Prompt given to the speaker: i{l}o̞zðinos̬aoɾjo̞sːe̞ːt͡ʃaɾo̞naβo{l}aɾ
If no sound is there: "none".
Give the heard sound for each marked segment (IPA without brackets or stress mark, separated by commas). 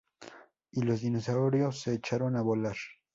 l, l